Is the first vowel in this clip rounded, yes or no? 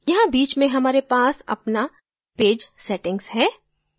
no